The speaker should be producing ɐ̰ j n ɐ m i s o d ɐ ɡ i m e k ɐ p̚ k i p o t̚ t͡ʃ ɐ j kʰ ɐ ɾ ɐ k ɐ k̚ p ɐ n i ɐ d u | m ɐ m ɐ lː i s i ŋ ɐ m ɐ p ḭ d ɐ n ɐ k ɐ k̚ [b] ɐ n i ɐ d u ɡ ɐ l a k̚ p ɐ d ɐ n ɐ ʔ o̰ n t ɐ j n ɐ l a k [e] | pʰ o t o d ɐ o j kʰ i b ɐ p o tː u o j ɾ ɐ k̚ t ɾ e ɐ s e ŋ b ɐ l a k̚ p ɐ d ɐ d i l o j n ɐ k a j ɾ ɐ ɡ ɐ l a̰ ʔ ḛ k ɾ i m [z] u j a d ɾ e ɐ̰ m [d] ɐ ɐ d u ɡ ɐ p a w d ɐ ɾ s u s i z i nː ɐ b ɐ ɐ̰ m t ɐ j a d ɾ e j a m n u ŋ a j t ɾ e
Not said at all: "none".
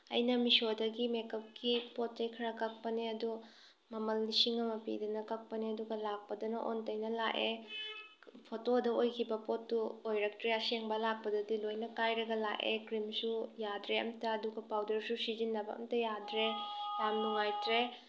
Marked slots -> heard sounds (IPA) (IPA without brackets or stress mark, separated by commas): p, e, s, t